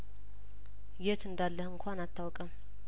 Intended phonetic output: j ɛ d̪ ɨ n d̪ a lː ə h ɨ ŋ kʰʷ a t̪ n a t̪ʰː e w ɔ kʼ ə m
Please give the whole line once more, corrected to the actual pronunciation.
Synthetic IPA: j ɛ t̪ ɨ n d̪ a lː ə h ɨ ŋ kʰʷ a n a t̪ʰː a w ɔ kʼ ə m